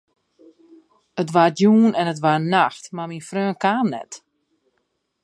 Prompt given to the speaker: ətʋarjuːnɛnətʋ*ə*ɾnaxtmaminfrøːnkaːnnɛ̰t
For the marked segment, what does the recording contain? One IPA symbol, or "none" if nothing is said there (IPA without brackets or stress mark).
a